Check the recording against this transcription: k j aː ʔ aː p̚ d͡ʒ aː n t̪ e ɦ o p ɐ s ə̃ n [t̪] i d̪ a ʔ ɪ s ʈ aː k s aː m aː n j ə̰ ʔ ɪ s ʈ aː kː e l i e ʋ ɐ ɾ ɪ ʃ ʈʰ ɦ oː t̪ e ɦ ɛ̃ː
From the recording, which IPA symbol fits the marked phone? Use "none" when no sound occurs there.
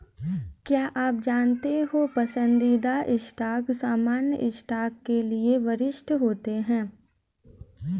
d̪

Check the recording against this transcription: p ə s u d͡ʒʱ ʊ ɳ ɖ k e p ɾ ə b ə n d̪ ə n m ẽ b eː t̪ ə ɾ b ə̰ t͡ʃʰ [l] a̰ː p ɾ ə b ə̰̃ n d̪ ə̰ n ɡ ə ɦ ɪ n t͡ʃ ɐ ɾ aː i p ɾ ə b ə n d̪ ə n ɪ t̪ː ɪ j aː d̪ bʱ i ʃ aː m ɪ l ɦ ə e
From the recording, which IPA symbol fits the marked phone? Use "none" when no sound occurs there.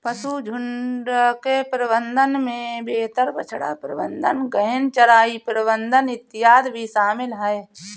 ɽ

